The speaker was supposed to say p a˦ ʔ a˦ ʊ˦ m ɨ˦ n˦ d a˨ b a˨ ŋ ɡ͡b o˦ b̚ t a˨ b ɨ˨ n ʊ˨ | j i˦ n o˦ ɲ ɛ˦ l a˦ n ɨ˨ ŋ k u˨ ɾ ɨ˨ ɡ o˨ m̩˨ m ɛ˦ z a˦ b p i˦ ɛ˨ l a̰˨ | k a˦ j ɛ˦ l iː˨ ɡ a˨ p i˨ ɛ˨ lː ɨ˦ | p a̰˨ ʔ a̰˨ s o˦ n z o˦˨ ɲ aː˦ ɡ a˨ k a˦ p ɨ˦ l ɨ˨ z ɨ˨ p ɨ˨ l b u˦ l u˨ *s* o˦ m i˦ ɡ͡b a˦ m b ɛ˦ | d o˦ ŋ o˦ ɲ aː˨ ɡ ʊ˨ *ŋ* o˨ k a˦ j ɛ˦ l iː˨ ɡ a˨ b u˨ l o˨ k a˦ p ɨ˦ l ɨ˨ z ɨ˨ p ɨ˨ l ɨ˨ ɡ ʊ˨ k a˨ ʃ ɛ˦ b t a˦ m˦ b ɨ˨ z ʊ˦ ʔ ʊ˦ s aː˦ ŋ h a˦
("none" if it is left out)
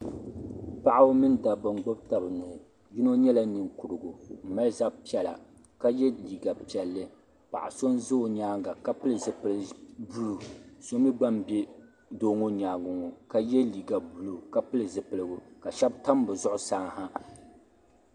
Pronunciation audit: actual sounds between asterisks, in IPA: s, ŋ

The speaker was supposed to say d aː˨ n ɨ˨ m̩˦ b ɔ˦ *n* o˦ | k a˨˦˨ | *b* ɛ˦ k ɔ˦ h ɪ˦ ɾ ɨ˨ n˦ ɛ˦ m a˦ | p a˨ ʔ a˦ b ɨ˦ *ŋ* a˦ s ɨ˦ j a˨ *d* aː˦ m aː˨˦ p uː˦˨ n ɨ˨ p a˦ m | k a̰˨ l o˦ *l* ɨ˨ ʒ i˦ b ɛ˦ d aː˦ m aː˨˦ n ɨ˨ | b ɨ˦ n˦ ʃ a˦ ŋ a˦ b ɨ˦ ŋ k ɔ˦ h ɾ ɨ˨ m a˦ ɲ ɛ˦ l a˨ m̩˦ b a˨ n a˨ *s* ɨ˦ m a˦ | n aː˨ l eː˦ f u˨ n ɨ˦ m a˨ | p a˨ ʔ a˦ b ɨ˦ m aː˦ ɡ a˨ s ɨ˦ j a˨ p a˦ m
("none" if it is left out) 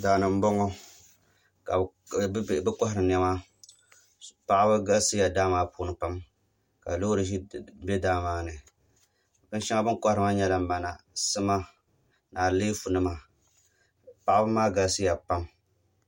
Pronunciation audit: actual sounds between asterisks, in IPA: ŋ, b, ɡ, d, ɾ, s

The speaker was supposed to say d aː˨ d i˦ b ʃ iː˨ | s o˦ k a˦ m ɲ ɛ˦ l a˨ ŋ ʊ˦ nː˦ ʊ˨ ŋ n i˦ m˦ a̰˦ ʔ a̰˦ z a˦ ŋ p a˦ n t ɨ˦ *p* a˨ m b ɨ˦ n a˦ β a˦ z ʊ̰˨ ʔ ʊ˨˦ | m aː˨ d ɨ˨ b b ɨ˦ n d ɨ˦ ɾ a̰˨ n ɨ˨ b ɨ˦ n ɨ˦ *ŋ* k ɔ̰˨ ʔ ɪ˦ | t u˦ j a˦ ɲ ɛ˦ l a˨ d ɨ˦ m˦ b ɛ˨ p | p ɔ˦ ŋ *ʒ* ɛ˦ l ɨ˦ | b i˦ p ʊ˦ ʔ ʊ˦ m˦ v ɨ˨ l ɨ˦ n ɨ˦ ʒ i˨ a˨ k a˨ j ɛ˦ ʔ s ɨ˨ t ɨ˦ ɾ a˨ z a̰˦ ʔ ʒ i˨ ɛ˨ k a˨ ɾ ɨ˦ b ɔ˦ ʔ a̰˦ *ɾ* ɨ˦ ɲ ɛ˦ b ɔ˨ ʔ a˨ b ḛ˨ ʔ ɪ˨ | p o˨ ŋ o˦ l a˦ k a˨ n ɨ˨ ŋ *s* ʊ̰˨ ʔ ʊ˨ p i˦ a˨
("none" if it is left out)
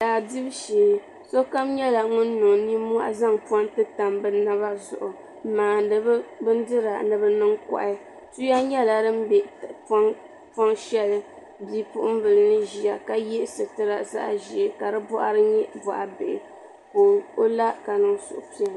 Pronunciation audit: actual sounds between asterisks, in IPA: t, ŋ, ʃ, ɾ, s

